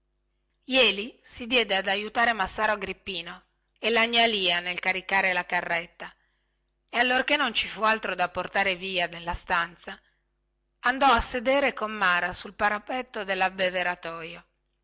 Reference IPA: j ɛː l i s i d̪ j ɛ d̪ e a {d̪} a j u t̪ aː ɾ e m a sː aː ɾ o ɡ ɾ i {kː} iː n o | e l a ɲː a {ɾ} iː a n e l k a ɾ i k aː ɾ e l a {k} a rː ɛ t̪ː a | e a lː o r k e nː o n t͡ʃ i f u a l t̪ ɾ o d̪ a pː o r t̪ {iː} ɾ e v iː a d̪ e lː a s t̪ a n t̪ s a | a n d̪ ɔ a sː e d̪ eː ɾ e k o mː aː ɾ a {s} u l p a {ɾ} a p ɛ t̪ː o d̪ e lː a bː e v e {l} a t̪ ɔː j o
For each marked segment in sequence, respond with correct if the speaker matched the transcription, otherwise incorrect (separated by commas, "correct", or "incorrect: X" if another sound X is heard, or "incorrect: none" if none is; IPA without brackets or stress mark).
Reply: correct, incorrect: pː, incorrect: l, correct, incorrect: aː, correct, correct, incorrect: ɾ